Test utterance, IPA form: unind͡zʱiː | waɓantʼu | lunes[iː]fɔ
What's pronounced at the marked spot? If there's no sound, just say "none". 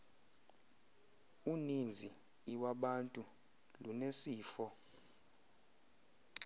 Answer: iː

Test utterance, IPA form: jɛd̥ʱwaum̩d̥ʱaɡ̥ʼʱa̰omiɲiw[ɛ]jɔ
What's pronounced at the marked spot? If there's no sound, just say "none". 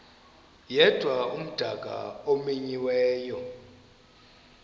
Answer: ɛː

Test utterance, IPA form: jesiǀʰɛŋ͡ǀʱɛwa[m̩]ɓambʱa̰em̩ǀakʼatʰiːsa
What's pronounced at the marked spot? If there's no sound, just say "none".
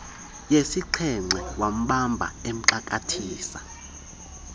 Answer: m̩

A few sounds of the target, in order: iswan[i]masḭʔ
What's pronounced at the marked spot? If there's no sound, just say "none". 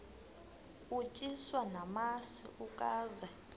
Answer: a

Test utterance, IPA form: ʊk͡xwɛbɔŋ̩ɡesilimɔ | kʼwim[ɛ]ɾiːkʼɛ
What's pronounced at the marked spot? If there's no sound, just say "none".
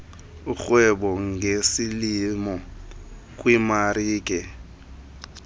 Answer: a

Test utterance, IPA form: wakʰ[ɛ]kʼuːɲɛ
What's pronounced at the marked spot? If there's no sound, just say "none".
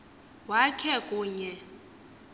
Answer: ɛ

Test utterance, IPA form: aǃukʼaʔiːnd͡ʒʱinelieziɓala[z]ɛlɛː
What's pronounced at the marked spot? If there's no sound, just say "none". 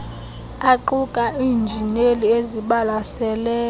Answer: s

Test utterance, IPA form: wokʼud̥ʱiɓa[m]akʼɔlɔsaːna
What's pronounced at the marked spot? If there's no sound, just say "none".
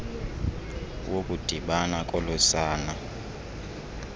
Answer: n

